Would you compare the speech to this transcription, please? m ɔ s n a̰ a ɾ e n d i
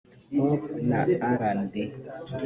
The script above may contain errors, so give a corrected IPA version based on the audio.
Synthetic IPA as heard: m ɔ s n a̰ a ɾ a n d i